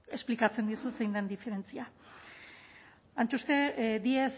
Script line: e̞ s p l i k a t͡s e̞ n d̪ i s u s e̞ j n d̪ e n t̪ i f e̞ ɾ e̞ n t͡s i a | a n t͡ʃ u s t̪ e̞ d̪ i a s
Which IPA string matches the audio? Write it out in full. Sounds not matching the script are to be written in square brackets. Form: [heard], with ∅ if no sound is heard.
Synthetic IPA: e̞ s p l i k a t͡s e̞ n d̪ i s u s e̞ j n d̪ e n [d̪] i f e̞ ɾ e̞ n t͡s i a | a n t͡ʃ u s t̪ e̞ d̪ i [e] s